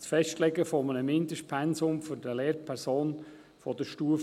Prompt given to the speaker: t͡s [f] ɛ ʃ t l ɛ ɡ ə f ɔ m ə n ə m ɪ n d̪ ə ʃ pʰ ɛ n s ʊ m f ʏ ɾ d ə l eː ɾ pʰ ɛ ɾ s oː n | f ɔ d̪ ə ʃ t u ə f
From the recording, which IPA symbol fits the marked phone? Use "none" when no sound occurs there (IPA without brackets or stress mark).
f